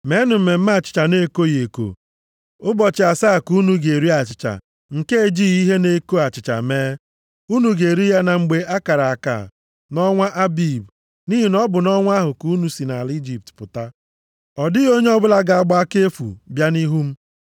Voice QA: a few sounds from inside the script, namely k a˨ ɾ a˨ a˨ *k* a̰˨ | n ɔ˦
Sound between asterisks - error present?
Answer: no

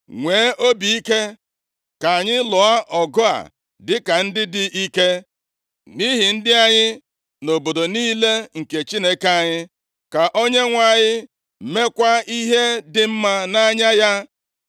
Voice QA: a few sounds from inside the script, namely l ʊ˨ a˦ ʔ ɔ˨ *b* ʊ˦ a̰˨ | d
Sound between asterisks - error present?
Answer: yes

